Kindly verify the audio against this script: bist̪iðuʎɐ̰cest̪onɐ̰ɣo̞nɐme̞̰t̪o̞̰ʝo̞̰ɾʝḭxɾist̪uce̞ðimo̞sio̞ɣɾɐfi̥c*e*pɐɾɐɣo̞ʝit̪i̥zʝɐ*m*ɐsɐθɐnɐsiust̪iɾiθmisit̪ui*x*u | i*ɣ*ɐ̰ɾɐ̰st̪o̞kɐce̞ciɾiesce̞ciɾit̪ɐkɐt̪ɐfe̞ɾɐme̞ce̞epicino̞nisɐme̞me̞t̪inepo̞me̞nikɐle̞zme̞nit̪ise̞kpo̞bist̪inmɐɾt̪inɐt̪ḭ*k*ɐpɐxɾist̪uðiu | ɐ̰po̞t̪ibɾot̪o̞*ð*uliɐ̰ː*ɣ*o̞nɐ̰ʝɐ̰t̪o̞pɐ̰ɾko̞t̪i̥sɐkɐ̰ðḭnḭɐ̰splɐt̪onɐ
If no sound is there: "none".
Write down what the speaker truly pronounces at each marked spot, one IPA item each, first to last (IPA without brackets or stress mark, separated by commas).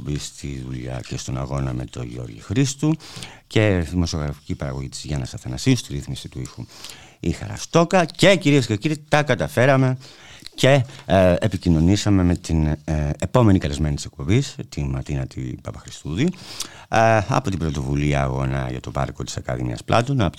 i, n, x, x, p, v, ɣ